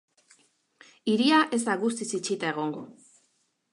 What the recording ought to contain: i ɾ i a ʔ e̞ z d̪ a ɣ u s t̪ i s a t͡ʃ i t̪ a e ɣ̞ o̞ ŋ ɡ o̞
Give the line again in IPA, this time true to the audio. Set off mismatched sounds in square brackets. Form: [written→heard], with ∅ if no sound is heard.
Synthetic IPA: i ɾ i a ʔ e̞ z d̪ a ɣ u s t̪ i s [a→i] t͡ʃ i t̪ a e ɣ̞ o̞ ŋ ɡ o̞